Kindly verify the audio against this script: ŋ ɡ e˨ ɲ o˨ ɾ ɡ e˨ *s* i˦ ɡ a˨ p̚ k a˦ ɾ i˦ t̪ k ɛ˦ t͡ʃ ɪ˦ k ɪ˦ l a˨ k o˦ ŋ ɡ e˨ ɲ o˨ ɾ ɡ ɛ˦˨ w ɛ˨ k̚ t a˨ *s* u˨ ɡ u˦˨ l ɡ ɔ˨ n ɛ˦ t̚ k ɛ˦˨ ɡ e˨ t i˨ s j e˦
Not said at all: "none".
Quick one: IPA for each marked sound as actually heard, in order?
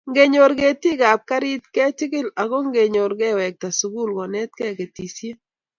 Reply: t, s

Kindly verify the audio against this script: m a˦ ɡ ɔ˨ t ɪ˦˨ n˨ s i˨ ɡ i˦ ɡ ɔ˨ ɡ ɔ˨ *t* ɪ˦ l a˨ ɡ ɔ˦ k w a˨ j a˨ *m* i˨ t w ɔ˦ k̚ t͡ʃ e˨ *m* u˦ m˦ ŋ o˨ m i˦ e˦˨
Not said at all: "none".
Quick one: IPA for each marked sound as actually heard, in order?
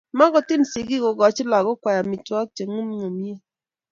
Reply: t͡ʃ, m, ŋ

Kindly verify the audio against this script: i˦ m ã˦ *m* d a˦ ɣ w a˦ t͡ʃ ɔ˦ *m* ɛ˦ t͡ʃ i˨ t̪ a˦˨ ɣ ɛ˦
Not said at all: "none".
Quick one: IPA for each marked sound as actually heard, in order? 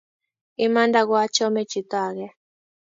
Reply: n, m

